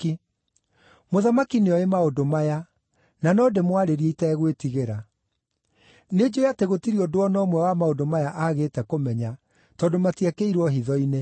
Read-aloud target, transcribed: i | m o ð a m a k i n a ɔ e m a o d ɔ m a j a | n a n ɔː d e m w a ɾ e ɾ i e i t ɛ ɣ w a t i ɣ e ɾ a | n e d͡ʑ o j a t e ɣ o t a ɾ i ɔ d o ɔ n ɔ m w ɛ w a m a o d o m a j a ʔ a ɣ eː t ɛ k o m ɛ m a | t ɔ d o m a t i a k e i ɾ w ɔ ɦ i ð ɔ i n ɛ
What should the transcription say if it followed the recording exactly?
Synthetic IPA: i | m o ð a m a k i n e ɔ e m a o d o m a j a | n a n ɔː d e m w a ɾ e ɾ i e i t ɛ ɣ w e t i ɣ e ɾ a | n e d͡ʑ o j a t e ɣ o t i ɾ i ɔ d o ɔ n ɔ m w ɛ w a m a o d o m a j a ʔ a ɣ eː t ɛ k o m ɛ ɲ a | t ɔ d o m a t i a k e i ɾ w ɔ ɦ i ð ɔ i n e